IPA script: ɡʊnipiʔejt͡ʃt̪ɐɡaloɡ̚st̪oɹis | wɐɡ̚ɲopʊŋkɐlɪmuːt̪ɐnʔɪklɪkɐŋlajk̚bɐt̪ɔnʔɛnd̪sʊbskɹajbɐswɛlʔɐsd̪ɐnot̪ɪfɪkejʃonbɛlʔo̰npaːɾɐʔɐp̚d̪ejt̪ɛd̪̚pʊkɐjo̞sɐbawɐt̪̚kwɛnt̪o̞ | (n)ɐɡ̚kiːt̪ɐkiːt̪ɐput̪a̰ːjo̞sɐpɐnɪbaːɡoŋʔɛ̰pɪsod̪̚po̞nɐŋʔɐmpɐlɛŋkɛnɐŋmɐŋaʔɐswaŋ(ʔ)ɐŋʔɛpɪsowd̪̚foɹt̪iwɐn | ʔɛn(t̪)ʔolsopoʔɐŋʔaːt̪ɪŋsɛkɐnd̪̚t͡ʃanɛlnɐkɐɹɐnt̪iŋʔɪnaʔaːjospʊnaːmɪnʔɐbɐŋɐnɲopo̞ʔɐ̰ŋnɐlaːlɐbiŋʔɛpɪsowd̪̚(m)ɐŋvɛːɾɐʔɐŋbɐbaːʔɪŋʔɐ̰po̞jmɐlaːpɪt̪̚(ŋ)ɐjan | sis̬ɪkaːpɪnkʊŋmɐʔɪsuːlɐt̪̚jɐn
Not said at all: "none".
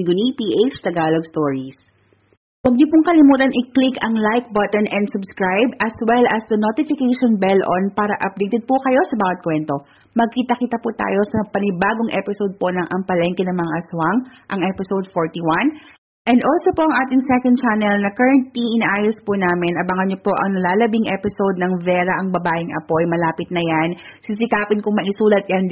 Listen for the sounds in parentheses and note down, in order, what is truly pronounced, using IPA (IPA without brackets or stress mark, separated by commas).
m, ʔ, d̪, n, n